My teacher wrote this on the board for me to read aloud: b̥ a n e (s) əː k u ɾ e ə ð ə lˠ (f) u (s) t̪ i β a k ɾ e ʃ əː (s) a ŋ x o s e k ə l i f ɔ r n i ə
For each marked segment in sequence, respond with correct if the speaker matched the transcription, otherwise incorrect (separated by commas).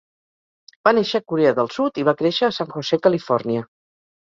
incorrect, incorrect, incorrect, correct